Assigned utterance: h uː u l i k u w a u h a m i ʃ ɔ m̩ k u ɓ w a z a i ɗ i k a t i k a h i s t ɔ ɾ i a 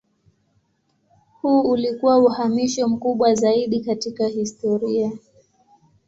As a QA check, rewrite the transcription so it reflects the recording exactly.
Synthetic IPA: h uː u l i k u w a u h a m i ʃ ɔ m̩ k u ɓ w a z a i ɗ i k a t i k a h i s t ɔ ɾ i a